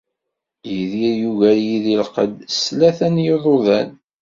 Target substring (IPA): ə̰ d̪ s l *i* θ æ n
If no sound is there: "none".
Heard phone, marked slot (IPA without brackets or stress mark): æ